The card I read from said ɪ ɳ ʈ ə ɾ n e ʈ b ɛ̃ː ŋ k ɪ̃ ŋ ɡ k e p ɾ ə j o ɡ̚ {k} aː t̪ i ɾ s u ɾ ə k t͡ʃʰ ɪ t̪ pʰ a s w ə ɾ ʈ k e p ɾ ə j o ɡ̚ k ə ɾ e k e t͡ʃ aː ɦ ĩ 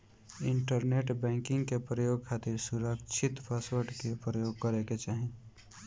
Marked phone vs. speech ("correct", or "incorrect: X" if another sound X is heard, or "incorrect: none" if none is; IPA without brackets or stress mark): incorrect: kʰ